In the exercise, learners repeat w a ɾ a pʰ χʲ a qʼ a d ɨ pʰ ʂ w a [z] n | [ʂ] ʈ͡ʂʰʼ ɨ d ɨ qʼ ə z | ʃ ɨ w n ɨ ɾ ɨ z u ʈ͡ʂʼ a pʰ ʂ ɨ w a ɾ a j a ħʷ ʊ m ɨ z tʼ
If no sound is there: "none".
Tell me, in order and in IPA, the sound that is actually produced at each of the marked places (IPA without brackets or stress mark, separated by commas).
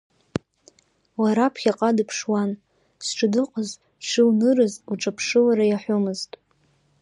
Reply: none, s